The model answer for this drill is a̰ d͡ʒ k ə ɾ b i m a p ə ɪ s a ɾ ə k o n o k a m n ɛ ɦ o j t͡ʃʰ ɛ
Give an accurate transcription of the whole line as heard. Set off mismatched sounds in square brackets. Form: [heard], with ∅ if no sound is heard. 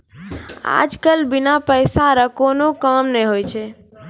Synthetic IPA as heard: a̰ d͡ʒ k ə [l] b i [n] a p ə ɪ s a ɾ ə k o n o k a m n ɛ ɦ o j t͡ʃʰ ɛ